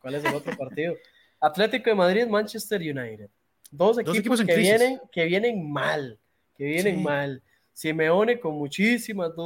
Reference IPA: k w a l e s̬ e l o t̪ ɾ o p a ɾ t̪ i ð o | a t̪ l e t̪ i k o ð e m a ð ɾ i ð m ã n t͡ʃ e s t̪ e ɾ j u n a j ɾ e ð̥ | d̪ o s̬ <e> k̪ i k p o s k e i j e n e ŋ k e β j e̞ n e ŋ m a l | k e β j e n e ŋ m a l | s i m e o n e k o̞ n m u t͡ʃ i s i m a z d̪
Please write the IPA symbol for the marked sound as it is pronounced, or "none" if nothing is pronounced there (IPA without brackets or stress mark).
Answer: e